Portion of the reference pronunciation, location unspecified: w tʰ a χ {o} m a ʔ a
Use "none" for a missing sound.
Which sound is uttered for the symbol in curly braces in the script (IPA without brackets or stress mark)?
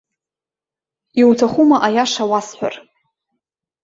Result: u